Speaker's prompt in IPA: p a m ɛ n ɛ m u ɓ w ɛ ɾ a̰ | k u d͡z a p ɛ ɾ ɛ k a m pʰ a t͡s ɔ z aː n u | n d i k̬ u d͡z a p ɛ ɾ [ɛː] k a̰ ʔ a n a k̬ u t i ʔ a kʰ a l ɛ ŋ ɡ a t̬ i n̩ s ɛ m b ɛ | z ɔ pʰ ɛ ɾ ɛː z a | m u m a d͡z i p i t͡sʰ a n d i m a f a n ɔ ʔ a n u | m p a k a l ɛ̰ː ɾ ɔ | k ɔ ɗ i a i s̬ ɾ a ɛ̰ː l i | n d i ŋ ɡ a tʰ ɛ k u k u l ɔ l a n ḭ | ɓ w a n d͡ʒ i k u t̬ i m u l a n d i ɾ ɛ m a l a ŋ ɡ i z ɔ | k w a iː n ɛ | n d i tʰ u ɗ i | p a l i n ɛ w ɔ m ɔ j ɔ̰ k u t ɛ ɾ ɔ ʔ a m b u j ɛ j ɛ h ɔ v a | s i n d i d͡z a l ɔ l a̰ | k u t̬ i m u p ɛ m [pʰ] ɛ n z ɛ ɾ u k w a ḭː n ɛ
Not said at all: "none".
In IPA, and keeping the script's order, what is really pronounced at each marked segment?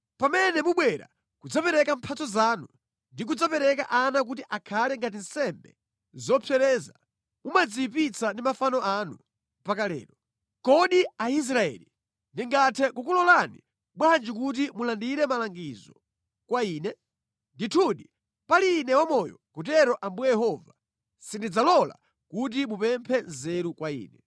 ɛ, pʰ

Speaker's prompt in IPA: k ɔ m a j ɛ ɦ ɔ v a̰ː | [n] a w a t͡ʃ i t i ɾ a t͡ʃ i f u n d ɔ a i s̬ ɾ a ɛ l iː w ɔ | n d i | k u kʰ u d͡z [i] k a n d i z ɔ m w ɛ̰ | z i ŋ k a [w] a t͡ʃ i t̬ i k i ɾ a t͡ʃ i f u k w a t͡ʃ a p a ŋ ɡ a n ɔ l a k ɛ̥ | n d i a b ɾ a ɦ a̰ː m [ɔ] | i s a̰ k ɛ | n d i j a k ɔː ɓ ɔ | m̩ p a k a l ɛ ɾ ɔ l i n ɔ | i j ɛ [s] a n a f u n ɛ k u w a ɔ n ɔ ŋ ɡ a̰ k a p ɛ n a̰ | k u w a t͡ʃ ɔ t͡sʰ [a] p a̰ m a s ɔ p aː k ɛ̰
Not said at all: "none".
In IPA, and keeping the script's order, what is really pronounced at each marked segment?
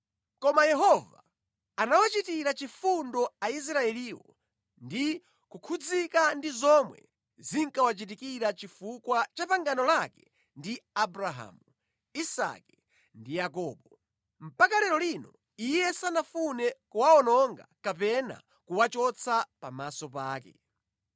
n, i, w, u, s, a

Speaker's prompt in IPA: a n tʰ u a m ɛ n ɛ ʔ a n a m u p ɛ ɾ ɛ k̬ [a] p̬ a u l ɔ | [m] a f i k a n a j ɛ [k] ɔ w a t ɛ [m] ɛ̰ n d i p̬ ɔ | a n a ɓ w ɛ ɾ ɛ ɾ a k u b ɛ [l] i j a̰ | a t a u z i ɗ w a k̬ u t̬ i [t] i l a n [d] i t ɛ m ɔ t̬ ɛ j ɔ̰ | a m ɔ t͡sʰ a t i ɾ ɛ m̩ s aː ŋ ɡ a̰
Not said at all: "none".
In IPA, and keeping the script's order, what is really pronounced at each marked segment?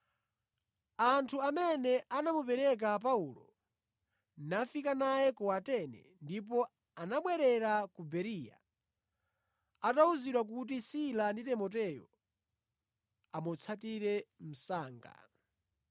a, n, k, n, ɾ, s, d

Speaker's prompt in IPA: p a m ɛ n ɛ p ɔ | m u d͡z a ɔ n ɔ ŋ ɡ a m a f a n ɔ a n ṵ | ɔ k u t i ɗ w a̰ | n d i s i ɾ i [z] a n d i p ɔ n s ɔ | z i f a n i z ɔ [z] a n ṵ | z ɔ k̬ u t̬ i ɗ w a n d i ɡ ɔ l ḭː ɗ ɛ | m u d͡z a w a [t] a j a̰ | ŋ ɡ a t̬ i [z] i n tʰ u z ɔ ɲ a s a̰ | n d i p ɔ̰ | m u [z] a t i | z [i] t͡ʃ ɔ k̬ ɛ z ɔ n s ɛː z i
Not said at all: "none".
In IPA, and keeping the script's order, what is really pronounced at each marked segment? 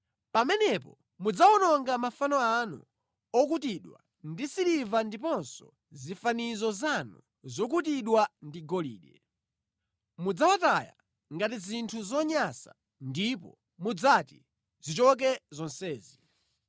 v, z, t, z, d͡z, i

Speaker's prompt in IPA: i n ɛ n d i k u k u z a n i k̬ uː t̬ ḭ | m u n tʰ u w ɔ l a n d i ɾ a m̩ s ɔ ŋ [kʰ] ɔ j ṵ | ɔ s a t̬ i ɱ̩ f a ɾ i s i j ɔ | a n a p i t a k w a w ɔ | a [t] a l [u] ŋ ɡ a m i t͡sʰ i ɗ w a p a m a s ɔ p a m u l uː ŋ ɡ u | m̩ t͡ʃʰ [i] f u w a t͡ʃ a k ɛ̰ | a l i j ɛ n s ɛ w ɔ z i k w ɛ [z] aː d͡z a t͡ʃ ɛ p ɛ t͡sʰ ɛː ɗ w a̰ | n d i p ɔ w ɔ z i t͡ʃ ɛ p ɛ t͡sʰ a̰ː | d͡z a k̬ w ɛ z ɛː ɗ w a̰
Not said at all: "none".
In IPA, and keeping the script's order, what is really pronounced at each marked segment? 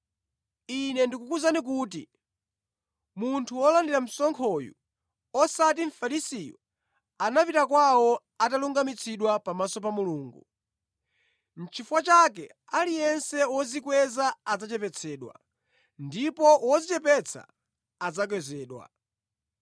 kʰ, t, u, i, z

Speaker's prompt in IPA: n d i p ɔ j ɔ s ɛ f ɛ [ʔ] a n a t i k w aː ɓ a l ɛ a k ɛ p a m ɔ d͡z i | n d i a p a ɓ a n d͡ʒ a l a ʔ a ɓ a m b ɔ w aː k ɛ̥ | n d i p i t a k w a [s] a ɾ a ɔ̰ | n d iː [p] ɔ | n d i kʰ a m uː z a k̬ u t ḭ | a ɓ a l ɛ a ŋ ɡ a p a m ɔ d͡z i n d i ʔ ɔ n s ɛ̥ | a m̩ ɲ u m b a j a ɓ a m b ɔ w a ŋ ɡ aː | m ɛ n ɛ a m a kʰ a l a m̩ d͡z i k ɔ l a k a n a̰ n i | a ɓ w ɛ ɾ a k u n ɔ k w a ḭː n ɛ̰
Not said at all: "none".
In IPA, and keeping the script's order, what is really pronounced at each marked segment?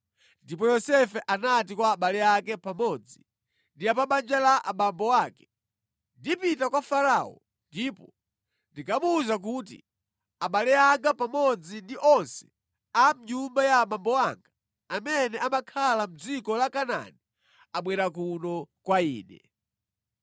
ʔ, f, p

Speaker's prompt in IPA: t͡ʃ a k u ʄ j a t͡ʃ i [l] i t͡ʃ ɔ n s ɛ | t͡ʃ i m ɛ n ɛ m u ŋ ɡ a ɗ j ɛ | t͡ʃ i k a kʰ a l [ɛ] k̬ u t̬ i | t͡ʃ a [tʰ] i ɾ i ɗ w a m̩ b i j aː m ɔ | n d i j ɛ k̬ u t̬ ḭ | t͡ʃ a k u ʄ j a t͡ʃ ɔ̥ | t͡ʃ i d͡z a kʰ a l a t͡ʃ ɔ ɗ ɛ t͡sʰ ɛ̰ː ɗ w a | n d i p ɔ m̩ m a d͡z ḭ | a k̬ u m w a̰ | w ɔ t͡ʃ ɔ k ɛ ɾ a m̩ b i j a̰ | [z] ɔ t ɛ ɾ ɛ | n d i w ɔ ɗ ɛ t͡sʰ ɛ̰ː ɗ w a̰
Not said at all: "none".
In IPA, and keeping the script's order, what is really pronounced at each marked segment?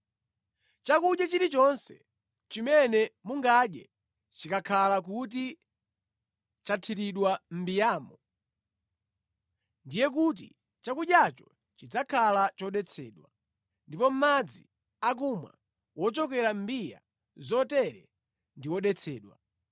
ɾ, a, tʰ, z

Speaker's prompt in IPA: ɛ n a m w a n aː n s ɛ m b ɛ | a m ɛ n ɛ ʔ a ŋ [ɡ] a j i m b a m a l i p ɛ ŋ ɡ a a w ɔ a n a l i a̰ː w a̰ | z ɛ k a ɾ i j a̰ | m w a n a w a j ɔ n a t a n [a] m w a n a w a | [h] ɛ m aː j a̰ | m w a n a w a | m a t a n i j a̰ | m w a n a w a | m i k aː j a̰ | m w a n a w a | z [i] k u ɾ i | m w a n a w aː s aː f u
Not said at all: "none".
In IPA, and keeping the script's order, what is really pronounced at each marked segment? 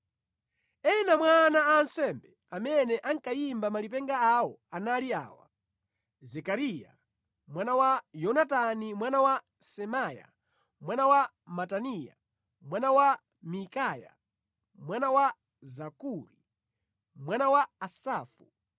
k, i, s, a

